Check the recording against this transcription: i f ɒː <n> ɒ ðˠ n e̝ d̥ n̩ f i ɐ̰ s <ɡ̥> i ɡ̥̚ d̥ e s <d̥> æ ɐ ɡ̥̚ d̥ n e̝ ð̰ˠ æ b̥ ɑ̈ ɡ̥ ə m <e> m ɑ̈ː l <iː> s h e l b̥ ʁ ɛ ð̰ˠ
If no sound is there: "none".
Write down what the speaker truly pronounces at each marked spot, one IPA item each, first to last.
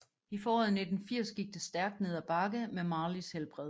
none, ɡ̥, d̥, e, i

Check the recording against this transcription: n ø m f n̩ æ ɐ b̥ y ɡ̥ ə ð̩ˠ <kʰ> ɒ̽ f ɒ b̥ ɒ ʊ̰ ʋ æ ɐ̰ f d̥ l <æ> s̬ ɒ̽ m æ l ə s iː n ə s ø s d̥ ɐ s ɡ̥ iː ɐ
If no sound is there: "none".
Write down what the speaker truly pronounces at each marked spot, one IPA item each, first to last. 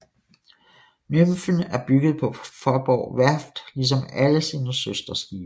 pʰ, i

